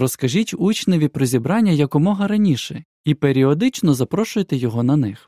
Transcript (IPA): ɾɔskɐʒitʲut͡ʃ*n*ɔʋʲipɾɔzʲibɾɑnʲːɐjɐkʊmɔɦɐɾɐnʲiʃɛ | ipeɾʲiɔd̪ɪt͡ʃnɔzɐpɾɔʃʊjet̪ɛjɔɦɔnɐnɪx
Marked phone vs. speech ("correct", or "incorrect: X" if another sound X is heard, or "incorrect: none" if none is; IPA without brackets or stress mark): correct